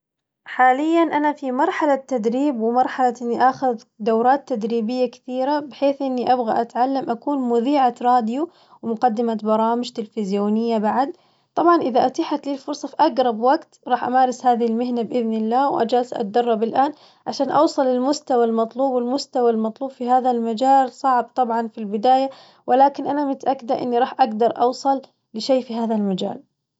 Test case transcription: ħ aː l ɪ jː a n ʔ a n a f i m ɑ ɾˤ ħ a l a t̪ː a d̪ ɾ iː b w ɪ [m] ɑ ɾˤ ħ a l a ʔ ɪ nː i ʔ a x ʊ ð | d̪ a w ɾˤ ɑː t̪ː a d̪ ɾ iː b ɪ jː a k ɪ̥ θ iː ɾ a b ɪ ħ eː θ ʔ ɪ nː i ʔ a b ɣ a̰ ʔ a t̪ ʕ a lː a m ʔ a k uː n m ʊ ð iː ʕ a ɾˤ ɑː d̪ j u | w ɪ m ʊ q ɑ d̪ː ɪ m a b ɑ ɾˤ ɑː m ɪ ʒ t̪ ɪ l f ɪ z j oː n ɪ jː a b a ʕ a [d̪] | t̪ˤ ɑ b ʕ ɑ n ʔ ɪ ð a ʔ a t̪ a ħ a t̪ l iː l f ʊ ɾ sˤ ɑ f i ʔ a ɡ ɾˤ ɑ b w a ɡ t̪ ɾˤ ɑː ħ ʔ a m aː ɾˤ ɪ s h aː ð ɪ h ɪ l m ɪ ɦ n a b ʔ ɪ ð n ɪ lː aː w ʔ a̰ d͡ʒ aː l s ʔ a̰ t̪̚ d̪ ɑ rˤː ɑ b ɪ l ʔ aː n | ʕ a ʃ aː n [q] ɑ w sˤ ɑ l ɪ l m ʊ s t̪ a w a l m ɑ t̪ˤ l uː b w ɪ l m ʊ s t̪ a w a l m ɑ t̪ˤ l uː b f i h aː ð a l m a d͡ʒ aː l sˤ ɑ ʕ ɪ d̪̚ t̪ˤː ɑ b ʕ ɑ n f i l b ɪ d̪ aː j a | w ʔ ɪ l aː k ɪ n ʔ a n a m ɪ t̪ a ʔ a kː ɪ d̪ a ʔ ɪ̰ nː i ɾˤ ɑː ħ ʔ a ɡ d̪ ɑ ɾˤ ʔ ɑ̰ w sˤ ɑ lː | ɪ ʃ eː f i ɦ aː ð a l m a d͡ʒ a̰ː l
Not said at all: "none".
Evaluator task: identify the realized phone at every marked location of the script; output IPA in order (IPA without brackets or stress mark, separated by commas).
m, d̪, ʔ